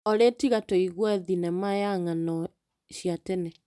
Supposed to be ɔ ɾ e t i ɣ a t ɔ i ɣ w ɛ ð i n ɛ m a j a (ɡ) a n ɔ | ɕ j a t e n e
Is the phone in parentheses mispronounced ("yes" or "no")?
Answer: yes